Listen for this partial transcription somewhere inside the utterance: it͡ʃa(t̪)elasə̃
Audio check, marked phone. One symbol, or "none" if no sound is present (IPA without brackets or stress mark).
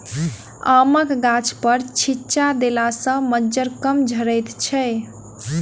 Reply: d̪